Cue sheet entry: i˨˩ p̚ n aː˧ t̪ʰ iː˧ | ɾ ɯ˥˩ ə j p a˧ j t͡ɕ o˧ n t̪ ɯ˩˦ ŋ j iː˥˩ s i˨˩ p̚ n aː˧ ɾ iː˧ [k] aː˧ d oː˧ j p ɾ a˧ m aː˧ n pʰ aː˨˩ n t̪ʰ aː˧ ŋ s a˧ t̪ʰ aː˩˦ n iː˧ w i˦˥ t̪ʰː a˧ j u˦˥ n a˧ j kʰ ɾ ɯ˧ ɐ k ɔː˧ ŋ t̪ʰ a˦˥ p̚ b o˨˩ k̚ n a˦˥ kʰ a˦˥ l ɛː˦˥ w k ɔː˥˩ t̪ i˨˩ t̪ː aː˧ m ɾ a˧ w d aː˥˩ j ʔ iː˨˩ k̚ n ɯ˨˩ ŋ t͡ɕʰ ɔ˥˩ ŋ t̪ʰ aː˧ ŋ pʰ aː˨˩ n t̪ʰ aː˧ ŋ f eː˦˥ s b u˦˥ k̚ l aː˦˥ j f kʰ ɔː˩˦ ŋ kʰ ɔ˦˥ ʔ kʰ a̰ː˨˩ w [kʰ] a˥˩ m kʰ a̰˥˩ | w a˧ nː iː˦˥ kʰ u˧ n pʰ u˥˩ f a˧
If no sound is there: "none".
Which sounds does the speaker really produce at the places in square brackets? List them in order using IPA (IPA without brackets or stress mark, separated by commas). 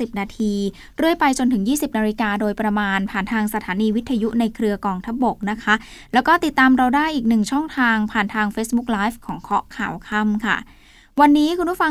k, kʰ